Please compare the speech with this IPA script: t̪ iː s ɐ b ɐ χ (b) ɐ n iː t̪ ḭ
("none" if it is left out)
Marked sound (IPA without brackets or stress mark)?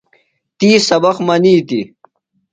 m